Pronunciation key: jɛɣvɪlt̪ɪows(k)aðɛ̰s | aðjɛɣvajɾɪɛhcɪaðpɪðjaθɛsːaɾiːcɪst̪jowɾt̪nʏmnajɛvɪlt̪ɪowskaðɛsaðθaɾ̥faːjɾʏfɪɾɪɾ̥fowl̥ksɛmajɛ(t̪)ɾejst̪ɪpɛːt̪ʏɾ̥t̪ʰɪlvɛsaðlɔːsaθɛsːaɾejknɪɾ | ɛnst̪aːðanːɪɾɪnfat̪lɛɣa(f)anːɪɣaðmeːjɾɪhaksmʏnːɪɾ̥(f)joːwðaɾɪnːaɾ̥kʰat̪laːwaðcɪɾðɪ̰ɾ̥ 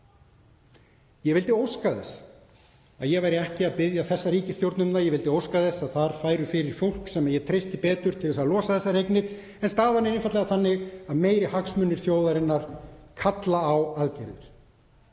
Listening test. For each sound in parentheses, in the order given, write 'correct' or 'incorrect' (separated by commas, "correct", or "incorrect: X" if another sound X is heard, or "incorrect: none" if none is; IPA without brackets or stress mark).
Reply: correct, incorrect: t̪ʰ, incorrect: θ, incorrect: θ